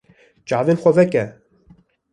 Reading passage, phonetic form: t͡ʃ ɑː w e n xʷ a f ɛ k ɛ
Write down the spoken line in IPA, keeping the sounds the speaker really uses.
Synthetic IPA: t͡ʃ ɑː v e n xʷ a v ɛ k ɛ